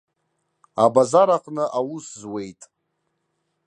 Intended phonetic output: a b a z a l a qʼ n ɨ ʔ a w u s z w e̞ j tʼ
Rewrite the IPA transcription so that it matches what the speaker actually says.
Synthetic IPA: a b a z a ɾ a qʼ n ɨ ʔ a w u s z w e̞ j tʼ